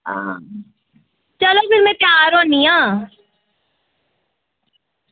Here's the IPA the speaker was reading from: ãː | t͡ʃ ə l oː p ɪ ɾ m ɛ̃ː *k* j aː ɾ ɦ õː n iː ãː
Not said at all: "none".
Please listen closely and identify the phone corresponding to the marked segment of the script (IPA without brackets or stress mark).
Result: p